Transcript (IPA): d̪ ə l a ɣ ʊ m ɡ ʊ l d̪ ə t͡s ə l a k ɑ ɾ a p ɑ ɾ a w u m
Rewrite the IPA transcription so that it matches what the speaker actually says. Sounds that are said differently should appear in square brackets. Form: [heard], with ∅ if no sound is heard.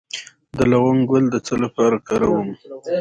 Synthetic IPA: d̪ ə l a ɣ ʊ [ŋ] ɡ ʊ l d̪ ə t͡s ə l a [p] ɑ ɾ a [k] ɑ ɾ a w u m